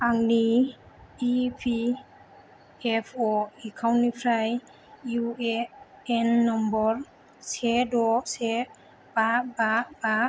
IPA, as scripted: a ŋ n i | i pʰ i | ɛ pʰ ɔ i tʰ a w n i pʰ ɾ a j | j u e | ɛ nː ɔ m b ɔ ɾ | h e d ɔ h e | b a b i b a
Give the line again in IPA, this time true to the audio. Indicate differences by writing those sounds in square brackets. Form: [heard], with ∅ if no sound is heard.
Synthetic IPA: a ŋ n i | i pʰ i | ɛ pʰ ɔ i [kʰ] a w n i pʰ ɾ a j | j u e | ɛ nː ɔ m b ɔ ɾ | [s] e d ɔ [s] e | b a b [a] b a